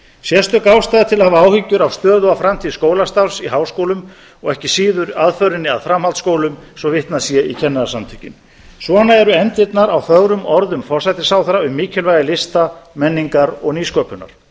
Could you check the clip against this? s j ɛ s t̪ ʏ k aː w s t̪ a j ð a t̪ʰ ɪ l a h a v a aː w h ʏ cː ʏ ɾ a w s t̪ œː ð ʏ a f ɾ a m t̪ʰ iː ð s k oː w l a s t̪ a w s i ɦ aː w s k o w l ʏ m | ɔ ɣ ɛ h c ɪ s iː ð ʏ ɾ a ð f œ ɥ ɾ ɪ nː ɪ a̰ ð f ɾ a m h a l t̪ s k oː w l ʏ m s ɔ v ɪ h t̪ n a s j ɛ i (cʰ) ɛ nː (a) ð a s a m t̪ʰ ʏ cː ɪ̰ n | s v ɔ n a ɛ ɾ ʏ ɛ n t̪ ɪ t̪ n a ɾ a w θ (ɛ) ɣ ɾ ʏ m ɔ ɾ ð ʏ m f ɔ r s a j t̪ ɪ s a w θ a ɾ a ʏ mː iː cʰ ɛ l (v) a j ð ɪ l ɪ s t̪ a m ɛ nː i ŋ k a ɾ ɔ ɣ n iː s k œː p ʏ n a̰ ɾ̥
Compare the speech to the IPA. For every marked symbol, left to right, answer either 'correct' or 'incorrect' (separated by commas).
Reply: correct, correct, incorrect, correct